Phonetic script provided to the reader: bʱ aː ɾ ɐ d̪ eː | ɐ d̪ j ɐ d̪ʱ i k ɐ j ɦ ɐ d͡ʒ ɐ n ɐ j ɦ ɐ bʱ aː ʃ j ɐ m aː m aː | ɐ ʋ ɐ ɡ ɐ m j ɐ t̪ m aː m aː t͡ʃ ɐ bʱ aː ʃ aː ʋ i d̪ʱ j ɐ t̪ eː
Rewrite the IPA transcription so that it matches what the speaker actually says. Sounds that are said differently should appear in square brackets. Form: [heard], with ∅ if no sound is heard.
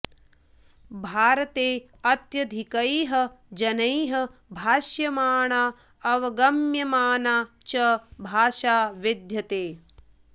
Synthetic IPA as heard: bʱ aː ɾ ɐ [t̪] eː | ɐ [t̪] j ɐ d̪ʱ i k ɐ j ɦ ɐ d͡ʒ ɐ n ɐ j ɦ ɐ bʱ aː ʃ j ɐ m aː [ɳ] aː | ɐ ʋ ɐ ɡ ɐ m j ɐ [∅] m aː [n] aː t͡ʃ ɐ bʱ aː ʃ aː ʋ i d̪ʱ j ɐ t̪ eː